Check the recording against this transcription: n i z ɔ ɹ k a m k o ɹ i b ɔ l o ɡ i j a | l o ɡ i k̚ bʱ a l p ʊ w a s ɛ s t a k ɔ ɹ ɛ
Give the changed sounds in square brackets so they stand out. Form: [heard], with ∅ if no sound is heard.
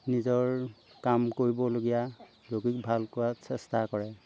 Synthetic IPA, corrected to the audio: n i z ɔ ɹ k a m k o ɹ i b ɔ l o ɡ i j a | l o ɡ i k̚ bʱ a l [k] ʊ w a s ɛ s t a k ɔ ɹ ɛ